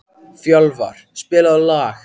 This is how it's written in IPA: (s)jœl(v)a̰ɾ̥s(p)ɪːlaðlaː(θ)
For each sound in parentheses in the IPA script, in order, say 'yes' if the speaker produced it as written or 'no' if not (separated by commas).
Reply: no, yes, yes, no